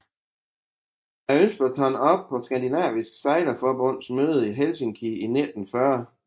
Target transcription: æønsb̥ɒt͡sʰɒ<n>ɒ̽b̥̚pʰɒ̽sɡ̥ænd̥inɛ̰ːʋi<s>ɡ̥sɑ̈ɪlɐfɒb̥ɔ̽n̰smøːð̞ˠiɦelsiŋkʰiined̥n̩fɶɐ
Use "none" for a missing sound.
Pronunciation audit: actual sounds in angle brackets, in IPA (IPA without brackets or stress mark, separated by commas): n, s